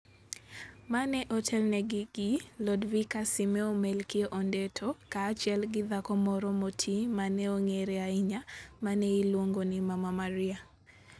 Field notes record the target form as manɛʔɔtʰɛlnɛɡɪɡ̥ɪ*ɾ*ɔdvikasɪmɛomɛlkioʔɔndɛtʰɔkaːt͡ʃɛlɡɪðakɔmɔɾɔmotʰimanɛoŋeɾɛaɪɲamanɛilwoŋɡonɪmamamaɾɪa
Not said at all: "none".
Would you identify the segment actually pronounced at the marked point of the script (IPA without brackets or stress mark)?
l